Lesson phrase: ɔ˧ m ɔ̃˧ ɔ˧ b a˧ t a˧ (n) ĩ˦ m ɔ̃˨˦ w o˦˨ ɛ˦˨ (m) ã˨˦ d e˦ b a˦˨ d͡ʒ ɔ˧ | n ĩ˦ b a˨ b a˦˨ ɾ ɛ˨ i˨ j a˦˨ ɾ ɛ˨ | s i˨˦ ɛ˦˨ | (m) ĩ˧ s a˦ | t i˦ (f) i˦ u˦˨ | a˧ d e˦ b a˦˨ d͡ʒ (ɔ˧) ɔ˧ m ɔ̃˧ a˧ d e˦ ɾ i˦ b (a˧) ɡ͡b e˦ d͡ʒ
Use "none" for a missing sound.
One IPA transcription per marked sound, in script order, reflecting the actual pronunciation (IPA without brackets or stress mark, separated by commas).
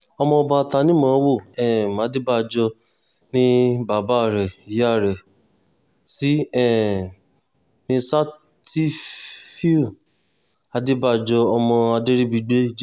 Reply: n, m, n, f, ɔ˧, i˧